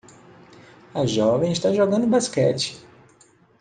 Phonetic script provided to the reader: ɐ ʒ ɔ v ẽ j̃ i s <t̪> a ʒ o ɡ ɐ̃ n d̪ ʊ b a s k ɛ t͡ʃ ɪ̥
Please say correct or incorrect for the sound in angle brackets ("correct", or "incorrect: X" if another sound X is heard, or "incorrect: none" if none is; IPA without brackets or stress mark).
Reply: correct